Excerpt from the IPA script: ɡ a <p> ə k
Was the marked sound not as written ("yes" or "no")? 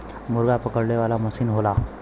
no